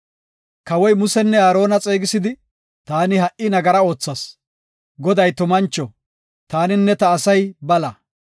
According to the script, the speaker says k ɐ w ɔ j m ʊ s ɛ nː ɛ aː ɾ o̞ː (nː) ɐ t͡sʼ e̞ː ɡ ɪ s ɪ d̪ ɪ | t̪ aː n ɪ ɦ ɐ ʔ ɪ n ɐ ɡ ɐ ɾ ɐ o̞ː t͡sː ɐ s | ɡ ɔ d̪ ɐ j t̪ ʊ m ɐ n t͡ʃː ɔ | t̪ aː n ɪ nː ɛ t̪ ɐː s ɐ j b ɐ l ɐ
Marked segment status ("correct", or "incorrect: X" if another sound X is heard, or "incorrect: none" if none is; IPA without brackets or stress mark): incorrect: n